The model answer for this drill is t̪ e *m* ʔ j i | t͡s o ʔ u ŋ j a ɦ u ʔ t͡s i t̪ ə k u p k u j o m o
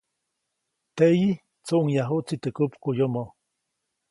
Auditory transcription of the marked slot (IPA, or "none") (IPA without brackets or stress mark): none